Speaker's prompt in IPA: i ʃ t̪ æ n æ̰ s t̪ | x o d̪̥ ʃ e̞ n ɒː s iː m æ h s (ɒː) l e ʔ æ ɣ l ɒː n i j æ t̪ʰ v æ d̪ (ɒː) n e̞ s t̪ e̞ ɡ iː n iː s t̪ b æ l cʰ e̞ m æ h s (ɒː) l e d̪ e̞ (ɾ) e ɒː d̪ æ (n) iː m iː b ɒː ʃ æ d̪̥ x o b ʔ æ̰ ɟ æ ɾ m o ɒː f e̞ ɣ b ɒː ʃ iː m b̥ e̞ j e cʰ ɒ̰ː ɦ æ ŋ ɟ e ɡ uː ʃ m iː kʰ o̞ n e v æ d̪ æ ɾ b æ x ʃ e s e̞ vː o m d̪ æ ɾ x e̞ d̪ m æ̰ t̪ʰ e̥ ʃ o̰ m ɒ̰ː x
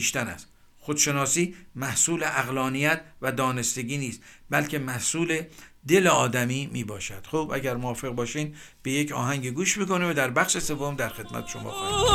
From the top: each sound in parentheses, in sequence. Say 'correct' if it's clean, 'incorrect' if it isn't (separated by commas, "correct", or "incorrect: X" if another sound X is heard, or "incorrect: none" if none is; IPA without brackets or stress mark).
incorrect: uː, correct, incorrect: uː, incorrect: l, incorrect: m